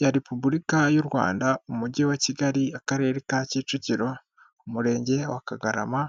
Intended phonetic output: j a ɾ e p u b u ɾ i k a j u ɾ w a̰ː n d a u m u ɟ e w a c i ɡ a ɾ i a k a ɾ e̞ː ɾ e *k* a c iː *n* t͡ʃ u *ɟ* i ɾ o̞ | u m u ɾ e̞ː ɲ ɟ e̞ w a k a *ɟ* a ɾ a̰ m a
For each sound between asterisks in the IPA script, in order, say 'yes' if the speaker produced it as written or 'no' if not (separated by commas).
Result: yes, no, no, no